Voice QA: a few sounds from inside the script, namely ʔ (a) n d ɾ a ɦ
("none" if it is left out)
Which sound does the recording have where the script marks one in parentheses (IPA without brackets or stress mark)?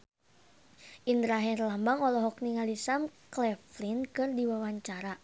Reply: i